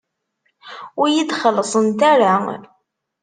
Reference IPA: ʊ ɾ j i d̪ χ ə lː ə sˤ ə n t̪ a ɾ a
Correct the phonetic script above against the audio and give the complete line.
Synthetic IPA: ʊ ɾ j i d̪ χ ə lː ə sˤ ə n t̪ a ɾ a